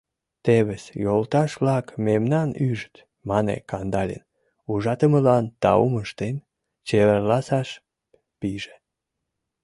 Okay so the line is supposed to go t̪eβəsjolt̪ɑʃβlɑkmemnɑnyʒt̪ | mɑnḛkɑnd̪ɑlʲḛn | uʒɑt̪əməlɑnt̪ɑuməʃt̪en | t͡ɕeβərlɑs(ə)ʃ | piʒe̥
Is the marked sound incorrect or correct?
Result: incorrect